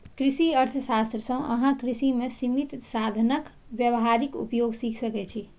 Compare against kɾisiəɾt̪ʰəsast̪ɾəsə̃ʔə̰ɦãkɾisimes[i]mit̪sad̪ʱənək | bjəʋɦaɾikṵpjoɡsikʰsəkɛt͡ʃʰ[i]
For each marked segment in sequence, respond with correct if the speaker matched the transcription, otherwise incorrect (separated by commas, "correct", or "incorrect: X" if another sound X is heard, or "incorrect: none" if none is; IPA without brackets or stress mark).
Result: correct, correct